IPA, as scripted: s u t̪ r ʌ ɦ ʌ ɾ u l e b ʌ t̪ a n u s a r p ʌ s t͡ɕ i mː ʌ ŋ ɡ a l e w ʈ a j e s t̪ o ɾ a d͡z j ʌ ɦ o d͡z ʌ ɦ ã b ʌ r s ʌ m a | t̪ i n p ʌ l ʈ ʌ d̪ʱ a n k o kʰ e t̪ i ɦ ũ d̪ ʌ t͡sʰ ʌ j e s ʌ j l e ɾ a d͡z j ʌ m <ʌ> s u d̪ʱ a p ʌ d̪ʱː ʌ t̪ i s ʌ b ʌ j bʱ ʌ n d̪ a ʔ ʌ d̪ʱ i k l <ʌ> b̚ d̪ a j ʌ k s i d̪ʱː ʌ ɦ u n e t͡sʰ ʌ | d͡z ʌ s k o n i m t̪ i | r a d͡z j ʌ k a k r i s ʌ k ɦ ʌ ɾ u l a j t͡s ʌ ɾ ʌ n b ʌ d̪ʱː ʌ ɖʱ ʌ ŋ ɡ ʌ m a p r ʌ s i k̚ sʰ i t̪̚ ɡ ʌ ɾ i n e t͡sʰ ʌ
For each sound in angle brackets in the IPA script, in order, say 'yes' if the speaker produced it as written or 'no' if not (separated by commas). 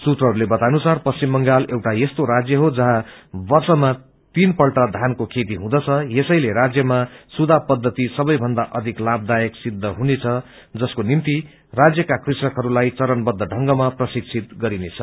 no, no